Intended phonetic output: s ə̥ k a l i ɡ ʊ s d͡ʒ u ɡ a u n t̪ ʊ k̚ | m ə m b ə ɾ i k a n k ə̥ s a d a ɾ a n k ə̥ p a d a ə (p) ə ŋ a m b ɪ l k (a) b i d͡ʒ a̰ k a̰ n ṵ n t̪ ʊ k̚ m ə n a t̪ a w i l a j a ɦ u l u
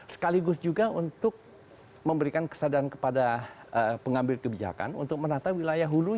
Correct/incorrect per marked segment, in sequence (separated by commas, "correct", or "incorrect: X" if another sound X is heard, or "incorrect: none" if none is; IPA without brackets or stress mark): correct, incorrect: ə